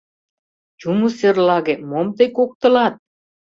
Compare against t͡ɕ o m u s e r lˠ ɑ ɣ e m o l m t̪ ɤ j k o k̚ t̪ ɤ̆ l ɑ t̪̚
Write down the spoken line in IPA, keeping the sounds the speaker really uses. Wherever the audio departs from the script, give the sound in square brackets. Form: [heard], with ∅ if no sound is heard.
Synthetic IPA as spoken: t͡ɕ [u] m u s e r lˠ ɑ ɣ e m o [∅] m t̪ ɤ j k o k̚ t̪ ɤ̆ l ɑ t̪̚